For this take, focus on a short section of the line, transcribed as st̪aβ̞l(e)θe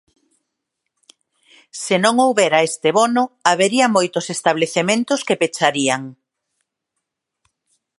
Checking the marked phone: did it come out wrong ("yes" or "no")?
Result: no